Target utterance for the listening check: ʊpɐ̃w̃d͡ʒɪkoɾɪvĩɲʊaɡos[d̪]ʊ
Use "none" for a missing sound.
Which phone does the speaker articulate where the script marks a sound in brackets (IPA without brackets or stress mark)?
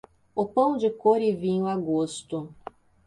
t̪